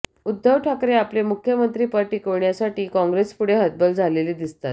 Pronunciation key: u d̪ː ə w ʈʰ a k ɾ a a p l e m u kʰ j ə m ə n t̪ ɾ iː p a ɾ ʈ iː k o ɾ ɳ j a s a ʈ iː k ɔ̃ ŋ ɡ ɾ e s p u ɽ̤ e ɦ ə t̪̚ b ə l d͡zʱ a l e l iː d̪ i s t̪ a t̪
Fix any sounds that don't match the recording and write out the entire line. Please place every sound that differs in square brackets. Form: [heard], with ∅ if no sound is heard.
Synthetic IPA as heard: u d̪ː ə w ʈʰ a k ɾ [e] a p l e m u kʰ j ə m ə n t̪ ɾ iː p a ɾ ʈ iː k o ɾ ɳ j a s a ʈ iː k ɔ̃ ŋ ɡ ɾ e s p u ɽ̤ e ɦ ə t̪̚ b ə l d͡zʱ a l e l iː d̪ i s t̪ a t̪